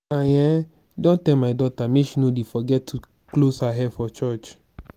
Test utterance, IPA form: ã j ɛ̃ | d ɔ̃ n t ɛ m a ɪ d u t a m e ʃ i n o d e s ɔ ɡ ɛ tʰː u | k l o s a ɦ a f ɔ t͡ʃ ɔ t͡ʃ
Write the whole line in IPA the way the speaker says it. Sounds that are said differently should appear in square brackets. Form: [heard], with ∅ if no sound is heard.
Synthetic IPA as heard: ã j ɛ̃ | d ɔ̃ n t ɛ m a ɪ d [ɔ] t a m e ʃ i n o d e [f] ɔ ɡ ɛ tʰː u | k l o s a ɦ [ɛ] f ɔ t͡ʃ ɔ t͡ʃ